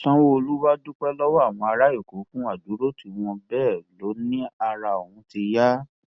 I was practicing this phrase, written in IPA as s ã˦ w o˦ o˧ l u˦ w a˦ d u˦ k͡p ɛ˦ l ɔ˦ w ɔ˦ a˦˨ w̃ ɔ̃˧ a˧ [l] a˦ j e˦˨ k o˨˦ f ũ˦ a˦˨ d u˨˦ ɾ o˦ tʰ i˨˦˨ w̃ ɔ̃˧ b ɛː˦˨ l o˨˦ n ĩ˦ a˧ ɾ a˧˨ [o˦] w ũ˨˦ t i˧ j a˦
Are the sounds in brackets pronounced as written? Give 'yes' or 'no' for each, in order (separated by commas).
no, no